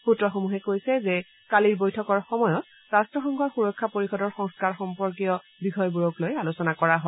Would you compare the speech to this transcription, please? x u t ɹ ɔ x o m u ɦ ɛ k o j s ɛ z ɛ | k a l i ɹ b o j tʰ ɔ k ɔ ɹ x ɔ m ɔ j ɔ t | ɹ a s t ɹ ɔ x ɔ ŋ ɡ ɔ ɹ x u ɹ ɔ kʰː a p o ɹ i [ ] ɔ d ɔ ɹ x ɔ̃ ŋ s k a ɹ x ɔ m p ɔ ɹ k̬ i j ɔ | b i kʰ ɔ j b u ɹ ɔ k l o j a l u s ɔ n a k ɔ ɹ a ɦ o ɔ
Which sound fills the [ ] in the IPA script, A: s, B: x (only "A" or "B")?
B